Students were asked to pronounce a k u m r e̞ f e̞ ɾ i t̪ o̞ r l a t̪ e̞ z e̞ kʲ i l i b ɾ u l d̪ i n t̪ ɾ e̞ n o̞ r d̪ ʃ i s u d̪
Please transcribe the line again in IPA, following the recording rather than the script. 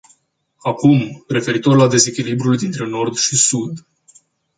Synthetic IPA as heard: a k u m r e̞ f e̞ ɾ i t̪ o̞ r l a d̪ e̞ z e̞ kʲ i l i b ɾ u l d̪ i n t̪ ɾ e̞ n o̞ r d̪ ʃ i s u d̪